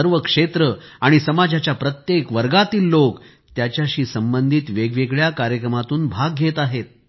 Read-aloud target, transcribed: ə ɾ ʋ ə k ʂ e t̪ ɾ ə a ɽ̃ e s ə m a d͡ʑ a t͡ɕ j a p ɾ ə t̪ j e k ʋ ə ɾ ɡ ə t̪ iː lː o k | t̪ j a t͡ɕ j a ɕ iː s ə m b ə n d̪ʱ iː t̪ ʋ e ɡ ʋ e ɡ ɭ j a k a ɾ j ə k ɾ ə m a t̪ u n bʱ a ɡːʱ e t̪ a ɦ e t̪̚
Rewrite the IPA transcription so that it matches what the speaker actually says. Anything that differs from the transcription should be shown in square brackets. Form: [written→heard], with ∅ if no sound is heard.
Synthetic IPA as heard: ə ɾ ʋ ə k ʂ e t̪ ɾ ə a ɽ̃ [e→i] s ə m a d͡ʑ a t͡ɕ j a p ɾ ə t̪ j e k ʋ ə ɾ ɡ [ə→a] t̪ iː lː o k | t̪ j a t͡ɕ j a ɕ iː s ə m b ə n d̪ʱ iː t̪ ʋ e ɡ ʋ e ɡ ɭ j a k a ɾ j ə k ɾ ə m a t̪ [u→uː] n bʱ a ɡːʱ e t̪ a ɦ e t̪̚